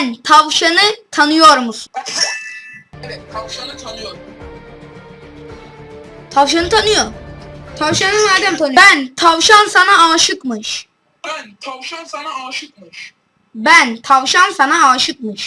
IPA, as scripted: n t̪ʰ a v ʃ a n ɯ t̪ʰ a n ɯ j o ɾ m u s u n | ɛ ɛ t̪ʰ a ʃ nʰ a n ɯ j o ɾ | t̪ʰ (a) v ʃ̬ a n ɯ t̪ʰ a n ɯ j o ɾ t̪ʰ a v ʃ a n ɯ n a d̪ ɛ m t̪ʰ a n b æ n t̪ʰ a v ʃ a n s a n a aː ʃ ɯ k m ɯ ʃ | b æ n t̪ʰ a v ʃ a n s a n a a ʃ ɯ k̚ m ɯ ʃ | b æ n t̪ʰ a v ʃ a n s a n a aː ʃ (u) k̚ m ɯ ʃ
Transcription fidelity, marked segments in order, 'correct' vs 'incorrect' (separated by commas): correct, incorrect